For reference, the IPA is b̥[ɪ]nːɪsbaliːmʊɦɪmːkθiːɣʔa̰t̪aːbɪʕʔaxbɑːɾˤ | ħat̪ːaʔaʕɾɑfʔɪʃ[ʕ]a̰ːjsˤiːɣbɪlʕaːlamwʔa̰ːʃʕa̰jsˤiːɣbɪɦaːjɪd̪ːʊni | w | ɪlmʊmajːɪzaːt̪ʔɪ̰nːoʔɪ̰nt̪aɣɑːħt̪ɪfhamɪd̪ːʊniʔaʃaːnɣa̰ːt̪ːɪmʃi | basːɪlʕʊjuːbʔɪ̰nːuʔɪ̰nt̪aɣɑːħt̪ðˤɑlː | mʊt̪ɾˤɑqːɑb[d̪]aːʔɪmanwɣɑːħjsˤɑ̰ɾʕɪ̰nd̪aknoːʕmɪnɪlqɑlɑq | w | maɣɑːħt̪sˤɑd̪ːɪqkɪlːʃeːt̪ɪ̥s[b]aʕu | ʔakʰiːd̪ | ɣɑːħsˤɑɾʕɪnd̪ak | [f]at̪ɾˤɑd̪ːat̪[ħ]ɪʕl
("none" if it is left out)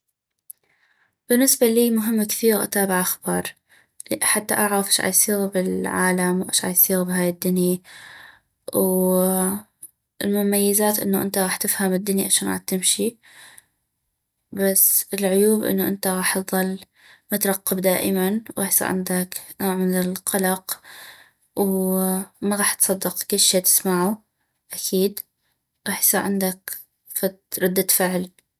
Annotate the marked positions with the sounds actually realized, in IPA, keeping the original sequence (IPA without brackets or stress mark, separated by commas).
ɪ, ʕ, d̪, m, f, f